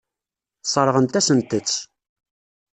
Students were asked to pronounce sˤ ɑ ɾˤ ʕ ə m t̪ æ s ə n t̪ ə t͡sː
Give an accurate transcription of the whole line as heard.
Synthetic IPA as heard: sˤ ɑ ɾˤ ʁ ə n t̪ æ s ə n t̪ ə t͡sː